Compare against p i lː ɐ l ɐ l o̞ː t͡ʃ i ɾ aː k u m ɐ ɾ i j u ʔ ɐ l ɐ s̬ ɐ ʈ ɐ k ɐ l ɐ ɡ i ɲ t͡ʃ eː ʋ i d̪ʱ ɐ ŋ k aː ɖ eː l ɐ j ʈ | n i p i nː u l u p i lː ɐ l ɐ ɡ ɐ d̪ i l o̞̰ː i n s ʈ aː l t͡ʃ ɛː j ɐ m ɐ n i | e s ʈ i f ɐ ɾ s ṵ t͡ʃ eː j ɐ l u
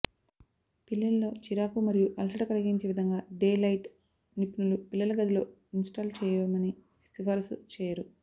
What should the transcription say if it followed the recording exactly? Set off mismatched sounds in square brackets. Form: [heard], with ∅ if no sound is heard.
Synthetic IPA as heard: p i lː ɐ l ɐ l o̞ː t͡ʃ i ɾ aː k u m ɐ ɾ i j u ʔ ɐ l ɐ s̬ ɐ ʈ ɐ k ɐ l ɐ ɡ i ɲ t͡ʃ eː ʋ i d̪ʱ ɐ ŋ [ɡ] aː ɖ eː l ɐ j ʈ | n i p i [n] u l u p i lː ɐ l ɐ ɡ ɐ d̪ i l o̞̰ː i n s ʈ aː l t͡ʃ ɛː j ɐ m ɐ n i | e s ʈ i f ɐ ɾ s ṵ t͡ʃ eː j ɐ [ɾ] u